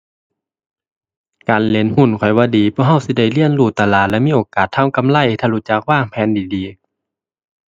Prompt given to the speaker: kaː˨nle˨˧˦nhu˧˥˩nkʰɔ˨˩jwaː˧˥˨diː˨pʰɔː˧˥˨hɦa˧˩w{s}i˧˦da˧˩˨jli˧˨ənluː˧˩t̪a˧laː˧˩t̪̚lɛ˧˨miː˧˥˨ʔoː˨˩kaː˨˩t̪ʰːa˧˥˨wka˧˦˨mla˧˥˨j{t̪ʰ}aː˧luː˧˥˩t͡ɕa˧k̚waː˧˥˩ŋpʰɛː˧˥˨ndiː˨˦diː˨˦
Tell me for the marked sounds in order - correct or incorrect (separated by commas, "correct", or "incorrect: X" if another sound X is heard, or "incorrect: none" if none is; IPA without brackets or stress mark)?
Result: correct, correct